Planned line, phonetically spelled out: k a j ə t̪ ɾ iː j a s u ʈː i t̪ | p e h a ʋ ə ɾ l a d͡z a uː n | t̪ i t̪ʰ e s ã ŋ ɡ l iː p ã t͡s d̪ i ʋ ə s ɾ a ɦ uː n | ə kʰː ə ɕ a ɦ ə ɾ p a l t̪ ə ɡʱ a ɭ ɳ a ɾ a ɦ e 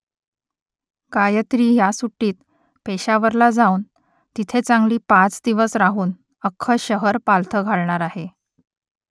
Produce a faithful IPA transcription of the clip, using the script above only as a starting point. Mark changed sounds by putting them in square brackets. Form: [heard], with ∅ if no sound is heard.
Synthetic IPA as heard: k a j ə t̪ ɾ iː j a s u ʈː [iː] t̪ | p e [ɕ] a ʋ ə ɾ l a d͡z a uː n | t̪ i t̪ʰ e [t͡s] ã ŋ ɡ l iː p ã t͡s d̪ i ʋ ə s ɾ a ɦ uː n | ə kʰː ə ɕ [ə] ɦ ə ɾ p a l [t̪ʰ] ə ɡʱ a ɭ ɳ a ɾ a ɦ e